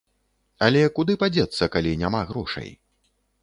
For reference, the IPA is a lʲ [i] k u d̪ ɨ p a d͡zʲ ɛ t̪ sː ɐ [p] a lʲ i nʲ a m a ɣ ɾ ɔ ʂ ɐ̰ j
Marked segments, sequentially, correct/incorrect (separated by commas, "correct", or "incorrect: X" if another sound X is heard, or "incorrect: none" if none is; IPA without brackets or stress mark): incorrect: ɛ, incorrect: k